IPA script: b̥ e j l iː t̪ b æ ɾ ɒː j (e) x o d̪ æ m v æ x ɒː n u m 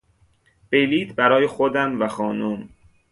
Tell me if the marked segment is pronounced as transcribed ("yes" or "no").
yes